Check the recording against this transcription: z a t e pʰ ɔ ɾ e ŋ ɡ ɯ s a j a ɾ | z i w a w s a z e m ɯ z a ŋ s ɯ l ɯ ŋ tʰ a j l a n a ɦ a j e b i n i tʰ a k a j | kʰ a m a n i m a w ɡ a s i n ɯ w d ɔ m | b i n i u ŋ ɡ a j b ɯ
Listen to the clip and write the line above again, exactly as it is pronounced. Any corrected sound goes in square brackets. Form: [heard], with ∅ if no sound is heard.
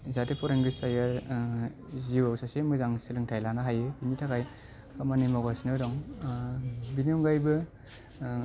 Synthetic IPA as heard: z a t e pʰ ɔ ɾ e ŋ ɡ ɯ s a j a ɾ | z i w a w s a [s] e m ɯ z a ŋ s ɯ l ɯ ŋ tʰ a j l a n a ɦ a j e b i n i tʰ a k a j | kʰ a m a n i m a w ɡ a s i n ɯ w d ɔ [ŋ] | b i n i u ŋ ɡ a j b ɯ

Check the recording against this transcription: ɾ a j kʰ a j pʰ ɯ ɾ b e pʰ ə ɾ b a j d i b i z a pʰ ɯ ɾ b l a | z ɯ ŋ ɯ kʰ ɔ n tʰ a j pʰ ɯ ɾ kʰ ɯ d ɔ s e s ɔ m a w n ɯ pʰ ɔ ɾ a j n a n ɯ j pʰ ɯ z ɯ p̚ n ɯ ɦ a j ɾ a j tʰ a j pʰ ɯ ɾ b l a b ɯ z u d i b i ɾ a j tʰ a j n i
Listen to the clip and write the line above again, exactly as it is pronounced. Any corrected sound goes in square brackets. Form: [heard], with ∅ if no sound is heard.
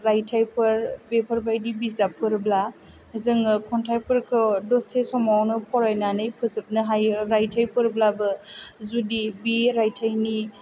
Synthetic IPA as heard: ɾ a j [tʰ] a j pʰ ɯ ɾ b e pʰ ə ɾ b a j d i b i z a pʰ ɯ ɾ b l a | z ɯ ŋ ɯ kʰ ɔ n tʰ a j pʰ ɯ ɾ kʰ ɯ d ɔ s e s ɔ m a w n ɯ pʰ ɔ ɾ a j n a n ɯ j pʰ ɯ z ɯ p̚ n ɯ ɦ a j ɾ a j tʰ a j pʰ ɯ ɾ b l a b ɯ z u d i b i ɾ a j tʰ a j n i

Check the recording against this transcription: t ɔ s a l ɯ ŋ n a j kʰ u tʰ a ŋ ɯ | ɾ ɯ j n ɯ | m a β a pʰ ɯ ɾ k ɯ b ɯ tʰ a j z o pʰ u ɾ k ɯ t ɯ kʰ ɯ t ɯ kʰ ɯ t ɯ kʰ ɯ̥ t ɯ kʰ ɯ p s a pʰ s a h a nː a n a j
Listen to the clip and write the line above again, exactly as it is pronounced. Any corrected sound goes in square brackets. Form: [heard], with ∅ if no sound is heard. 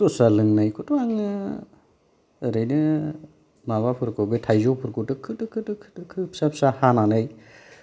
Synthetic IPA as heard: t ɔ s a l ɯ ŋ n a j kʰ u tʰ a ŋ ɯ | ɾ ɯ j n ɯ | m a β a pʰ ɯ ɾ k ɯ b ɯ tʰ a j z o pʰ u ɾ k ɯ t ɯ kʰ ɯ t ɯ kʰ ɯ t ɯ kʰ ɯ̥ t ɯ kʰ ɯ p s a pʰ s a h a [n] a n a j

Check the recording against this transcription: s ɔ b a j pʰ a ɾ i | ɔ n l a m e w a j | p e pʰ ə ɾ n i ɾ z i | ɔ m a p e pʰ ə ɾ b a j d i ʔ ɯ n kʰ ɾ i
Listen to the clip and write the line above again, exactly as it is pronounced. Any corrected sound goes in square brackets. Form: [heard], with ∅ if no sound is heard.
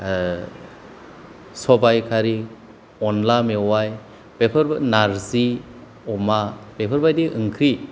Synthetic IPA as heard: s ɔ b a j [kʰ] a ɾ i | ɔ n l a m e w a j | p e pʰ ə ɾ n [a] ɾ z i | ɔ m a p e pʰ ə ɾ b a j d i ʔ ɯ [ŋ] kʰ ɾ i

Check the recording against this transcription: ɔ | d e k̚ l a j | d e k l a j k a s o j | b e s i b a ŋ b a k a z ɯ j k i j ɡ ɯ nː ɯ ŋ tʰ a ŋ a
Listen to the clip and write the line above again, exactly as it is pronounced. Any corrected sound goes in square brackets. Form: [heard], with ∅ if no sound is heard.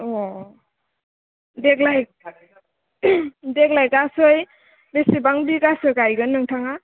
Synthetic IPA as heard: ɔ | d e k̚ l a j | d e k l a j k a s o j | b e s i b a ŋ b [i] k a [s] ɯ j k [a] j ɡ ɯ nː ɯ ŋ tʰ a ŋ a

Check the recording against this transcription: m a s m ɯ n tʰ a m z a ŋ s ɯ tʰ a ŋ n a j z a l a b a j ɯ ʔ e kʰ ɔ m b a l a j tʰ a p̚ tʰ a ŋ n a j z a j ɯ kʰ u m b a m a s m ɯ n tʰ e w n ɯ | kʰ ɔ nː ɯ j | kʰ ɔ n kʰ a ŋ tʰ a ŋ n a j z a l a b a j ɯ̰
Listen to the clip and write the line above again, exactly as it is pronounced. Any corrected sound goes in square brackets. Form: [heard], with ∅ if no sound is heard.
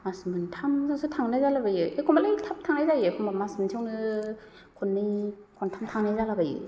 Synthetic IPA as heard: m a s m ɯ n tʰ a m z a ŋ s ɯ tʰ a ŋ n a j z a l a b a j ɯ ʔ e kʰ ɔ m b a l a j tʰ a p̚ tʰ a ŋ n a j z a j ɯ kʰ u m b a m a s m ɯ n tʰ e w n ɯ | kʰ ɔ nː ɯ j | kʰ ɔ n [tʰ] a [m] tʰ a ŋ n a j z a l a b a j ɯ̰

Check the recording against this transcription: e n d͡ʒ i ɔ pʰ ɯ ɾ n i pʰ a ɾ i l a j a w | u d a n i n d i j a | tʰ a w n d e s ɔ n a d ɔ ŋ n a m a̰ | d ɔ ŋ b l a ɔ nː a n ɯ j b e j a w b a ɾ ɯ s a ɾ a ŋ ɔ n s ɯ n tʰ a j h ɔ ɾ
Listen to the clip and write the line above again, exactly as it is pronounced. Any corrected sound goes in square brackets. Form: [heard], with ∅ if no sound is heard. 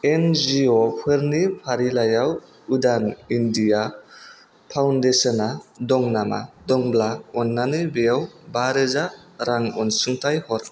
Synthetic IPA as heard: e n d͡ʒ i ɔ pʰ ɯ ɾ n i pʰ a ɾ i l a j a w | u d a n i n d i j a | [pʰ] a w n d e s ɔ n a d ɔ ŋ n a m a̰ | d ɔ ŋ b l a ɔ nː a n ɯ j b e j a w b a ɾ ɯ [z] a ɾ a ŋ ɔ n s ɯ [ŋ] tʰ a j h ɔ ɾ

